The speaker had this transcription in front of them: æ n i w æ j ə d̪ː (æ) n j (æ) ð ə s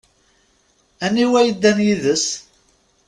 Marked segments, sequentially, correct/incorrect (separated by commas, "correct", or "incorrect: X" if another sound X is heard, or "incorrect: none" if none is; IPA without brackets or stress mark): correct, incorrect: i